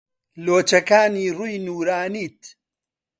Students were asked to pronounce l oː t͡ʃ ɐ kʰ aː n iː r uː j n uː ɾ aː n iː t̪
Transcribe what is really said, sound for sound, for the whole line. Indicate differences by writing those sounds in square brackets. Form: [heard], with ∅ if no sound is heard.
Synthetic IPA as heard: l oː t͡ʃ ɐ [k] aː n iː r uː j n uː ɾ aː n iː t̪